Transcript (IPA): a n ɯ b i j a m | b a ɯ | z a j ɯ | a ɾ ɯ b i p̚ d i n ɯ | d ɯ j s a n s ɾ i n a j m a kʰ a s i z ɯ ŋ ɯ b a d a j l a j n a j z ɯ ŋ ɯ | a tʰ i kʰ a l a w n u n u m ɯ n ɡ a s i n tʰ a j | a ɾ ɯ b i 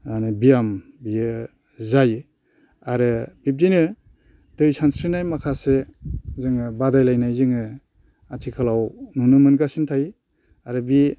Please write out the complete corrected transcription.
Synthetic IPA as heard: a n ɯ b i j a m | b i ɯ | z a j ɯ | a ɾ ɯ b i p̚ d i n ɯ | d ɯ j s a n s ɾ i n a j m a kʰ a s e z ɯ ŋ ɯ b a d a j l a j n a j z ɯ ŋ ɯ | a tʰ i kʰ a l a w n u n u m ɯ n ɡ a s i n tʰ a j | a ɾ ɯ b i

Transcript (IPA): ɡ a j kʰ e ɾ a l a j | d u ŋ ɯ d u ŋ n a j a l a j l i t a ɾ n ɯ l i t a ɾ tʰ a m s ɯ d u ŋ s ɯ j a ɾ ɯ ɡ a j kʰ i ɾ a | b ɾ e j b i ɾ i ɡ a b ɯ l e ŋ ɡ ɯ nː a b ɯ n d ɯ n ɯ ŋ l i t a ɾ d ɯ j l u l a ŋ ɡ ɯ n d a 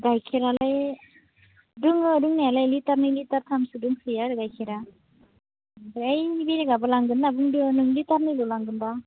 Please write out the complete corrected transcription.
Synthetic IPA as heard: ɡ a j kʰ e ɾ a l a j | d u ŋ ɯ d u ŋ n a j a l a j l i t a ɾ n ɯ l i t a ɾ tʰ a m s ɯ d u ŋ s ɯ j a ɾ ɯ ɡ a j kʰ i ɾ a | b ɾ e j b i ɾ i ɡ a b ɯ l a ŋ ɡ ɯ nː a b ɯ ŋ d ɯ n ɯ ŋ l i t a ɾ n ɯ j l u l a ŋ ɡ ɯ n b a

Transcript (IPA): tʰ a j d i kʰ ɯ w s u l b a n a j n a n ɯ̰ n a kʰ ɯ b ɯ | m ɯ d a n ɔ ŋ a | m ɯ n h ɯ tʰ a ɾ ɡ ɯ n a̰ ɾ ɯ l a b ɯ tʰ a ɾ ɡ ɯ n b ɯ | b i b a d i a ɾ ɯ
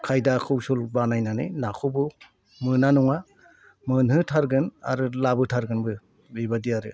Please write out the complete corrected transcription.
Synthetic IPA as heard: kʰ a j d a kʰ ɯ w s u l b a n a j n a n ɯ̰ n a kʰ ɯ b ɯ | m ɯ n a n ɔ ŋ a | m ɯ n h ɯ tʰ a ɾ ɡ ɯ n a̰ ɾ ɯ l a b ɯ tʰ a ɾ ɡ ɯ n b ɯ | b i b a d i a ɾ ɯ

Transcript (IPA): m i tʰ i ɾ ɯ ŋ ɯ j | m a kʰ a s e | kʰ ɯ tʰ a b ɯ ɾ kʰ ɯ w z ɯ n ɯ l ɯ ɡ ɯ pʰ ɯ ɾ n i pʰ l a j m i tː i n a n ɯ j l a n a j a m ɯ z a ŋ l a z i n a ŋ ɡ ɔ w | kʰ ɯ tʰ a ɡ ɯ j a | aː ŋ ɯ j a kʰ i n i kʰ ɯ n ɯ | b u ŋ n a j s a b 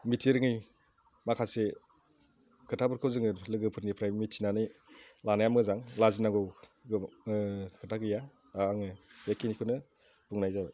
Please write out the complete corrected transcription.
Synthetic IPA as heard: m i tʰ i ɾ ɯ ŋ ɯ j | m a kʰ a s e | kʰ ɯ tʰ a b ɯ ɾ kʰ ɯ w z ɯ ŋ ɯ l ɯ ɡ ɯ pʰ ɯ ɾ n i pʰ ɾ a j m i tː i n a n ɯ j l a n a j a m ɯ z a ŋ l a z i n a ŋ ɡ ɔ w | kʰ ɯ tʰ a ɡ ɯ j a | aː ŋ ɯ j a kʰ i n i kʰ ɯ n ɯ | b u ŋ n a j z a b

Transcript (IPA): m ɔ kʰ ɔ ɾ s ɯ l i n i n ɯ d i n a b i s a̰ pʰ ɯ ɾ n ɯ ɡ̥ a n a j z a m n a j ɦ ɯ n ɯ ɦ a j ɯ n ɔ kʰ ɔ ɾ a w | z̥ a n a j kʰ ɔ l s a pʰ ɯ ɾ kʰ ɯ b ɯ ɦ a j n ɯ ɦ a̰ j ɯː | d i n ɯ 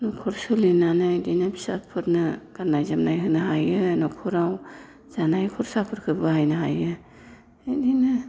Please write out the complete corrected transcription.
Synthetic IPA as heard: n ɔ kʰ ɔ ɾ s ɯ l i n a n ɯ d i n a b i s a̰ pʰ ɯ ɾ n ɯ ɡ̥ a n a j z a m n a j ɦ ɯ n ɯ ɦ a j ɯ n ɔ kʰ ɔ ɾ a w | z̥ a n a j kʰ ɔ ɾ s a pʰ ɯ ɾ kʰ ɯ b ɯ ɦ a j n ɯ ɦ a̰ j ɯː | d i n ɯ

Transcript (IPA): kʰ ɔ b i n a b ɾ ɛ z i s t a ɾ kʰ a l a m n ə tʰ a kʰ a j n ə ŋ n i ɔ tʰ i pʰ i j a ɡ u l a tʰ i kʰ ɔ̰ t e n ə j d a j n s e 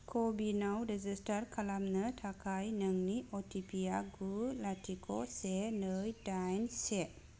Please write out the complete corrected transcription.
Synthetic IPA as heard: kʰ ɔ b i n a w ɾ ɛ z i s t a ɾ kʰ a l a m n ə tʰ a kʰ a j n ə ŋ n i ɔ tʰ i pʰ i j a ɡ u l a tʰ i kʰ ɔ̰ s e n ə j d a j n s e

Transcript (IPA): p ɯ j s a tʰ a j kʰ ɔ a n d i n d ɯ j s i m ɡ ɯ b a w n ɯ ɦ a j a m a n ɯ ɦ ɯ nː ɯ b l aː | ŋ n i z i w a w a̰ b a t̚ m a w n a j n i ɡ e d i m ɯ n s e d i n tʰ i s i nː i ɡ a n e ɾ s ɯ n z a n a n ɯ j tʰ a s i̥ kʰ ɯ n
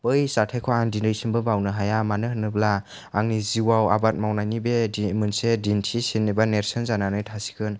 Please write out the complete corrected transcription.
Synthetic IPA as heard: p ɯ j s a tʰ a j kʰ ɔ a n d i n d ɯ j s i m b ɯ b a w n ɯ ɦ a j a m a n ɯ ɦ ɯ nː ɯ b l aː | ŋ n i z i w a w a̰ b a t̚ m a w n a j n i b e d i m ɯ n s e d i n tʰ i s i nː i b a n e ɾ s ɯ n z a n a n ɯ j tʰ a s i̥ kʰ ɯ n

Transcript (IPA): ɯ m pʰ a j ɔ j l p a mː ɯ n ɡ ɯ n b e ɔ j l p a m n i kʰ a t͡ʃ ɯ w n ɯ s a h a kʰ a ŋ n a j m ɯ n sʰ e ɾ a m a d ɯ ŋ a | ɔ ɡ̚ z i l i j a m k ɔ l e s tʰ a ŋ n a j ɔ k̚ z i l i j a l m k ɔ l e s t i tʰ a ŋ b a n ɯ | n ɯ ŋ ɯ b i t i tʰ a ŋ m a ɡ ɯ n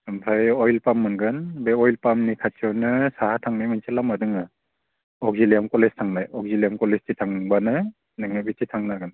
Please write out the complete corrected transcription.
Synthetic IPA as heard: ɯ m pʰ a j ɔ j l p a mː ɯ n ɡ ɯ n b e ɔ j l p a m n i kʰ a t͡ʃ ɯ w n ɯ s a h a tʰ a ŋ n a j m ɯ n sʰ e l a m a d ɯ ŋ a | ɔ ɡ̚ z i l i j a m k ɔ l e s tʰ a ŋ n a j ɔ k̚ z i l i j a m k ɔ l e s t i tʰ a ŋ b a n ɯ | n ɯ ŋ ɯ b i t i tʰ a ŋ n a ɡ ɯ n

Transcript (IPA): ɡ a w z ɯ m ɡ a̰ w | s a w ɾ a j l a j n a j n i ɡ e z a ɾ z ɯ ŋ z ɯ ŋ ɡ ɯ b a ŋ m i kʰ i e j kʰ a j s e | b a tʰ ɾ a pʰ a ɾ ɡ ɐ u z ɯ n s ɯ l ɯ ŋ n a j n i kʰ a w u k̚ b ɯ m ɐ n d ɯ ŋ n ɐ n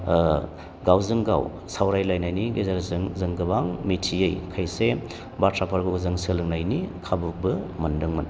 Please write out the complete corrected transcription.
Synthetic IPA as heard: ɡ a w z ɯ ŋ ɡ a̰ w | s a w ɾ a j l a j n a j n i ɡ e z a ɾ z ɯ ŋ z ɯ ŋ ɡ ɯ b a ŋ m i tʰ i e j kʰ a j s e | b a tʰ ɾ a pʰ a ɾ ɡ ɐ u z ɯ ŋ s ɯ l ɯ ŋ n a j n i kʰ a b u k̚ b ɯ m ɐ n d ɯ ŋ m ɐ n

